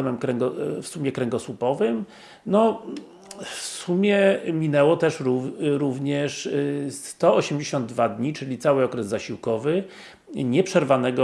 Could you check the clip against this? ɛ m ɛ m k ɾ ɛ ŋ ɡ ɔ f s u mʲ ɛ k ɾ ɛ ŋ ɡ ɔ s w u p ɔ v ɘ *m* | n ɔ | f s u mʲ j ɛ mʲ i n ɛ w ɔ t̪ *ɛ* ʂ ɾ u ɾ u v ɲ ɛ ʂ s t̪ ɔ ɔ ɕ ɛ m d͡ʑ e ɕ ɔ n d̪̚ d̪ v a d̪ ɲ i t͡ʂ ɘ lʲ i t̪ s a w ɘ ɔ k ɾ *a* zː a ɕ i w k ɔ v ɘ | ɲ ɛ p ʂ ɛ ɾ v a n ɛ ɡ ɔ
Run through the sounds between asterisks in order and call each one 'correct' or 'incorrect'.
correct, correct, incorrect: ɛ

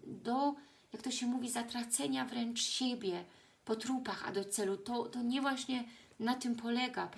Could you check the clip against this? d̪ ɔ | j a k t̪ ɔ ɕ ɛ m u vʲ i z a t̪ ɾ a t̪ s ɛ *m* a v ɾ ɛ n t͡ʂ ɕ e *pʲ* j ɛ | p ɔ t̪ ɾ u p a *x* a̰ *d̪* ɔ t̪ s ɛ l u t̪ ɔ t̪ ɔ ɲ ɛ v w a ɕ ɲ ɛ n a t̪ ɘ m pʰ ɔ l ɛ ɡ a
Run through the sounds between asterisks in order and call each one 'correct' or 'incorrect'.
incorrect: ɲ, incorrect: bʲ, correct, correct

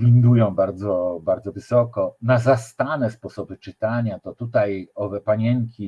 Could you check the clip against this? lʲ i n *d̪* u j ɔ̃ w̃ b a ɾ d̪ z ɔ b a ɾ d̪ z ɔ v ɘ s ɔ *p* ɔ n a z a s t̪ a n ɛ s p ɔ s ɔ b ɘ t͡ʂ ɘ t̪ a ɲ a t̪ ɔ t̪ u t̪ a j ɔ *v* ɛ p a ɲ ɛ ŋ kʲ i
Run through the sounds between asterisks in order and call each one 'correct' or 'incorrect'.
correct, incorrect: k, correct

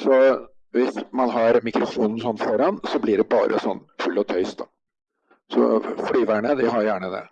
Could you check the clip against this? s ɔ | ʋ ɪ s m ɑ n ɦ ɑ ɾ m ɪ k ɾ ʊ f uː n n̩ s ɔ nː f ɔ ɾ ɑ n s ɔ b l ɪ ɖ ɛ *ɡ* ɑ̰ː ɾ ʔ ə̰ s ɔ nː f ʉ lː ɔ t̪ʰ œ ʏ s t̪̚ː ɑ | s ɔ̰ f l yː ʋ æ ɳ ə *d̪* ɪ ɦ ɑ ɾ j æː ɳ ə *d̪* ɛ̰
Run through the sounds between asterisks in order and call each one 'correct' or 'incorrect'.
incorrect: b, correct, correct

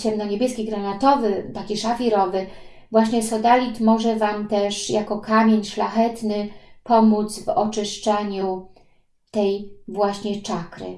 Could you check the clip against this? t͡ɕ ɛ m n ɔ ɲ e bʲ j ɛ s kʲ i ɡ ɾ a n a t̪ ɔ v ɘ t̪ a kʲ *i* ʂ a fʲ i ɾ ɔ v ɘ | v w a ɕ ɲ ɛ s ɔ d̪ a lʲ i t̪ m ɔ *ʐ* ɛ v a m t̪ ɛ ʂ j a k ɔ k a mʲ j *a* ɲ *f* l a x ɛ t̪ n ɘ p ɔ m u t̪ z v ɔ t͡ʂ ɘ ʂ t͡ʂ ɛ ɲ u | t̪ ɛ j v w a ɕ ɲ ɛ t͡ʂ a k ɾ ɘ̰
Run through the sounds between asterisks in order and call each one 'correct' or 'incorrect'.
correct, correct, incorrect: e, incorrect: ʂ

